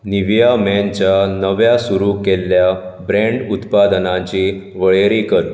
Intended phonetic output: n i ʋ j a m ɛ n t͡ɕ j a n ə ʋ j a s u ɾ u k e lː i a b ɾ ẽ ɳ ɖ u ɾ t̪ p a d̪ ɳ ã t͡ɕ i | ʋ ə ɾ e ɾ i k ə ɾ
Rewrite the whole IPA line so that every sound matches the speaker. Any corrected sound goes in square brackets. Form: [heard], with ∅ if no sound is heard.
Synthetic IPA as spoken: n i ʋ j a m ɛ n t͡ɕ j a n ə ʋ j a s u ɾ u k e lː [j] a b ɾ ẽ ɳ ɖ u [∅] t̪ p a d̪ [n] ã t͡ɕ i | ʋ ə [ɭ] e ɾ i k ə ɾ